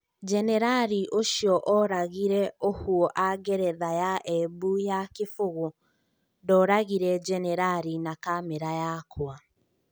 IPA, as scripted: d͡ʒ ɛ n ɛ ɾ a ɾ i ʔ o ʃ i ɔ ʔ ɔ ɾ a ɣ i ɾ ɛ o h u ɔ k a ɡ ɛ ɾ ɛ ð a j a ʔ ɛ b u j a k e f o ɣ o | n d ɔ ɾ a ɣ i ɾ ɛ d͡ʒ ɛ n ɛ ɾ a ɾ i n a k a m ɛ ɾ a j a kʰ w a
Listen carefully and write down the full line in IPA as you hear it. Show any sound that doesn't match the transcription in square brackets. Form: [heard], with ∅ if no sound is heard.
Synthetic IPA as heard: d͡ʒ ɛ n ɛ ɾ a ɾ i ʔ o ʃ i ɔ ʔ ɔ ɾ a ɣ i ɾ ɛ o h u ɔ [ʔ] a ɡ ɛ ɾ ɛ ð a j a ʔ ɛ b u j a k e f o ɣ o | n d ɔ ɾ a ɣ i ɾ ɛ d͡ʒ ɛ n ɛ ɾ a ɾ i n a k a m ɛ ɾ a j a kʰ w a